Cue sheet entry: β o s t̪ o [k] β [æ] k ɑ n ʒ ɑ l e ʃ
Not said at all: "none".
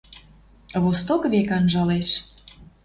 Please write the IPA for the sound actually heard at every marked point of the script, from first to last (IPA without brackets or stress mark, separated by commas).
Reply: k, e